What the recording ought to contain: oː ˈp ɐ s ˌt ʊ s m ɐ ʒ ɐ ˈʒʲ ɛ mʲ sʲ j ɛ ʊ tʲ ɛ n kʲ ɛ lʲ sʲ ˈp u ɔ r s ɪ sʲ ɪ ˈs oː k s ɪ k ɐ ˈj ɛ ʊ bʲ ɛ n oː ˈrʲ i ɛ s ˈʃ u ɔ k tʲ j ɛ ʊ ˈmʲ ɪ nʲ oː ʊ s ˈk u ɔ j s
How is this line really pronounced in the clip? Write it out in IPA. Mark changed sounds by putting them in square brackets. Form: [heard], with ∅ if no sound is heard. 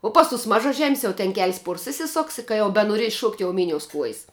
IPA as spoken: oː ˈp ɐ s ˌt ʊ s m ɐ ʒ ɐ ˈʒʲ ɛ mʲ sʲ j ɛ ʊ tʲ ɛ n kʲ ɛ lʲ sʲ ˈp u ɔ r s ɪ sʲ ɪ ˈs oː k s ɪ k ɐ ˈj ɛ ʊ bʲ ɛ n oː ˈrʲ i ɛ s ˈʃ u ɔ k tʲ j ɛ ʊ ˈmʲ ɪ nʲ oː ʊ s ˈk u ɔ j s